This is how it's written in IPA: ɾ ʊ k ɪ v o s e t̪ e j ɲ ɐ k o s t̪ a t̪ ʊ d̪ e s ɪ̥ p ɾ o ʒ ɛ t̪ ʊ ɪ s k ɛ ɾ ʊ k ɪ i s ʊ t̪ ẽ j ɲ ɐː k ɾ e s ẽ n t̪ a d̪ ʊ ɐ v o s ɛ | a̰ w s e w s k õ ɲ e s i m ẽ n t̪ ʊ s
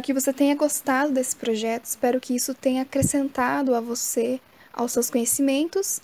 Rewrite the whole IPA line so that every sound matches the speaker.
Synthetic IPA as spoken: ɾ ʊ k ɪ v o s e t̪ ẽ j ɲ ɐ ɡ o s t̪ a d̪ ʊ d̪ e s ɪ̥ p ɾ o ʒ ɛ t̪ ʊ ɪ s p ɛ ɾ ʊ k ɪ i s ʊ t̪ ẽ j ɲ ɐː k ɾ e s ẽ n t̪ a d̪ ʊ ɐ v o s e | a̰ w s e w s k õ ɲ e s i m ẽ n t̪ ʊ s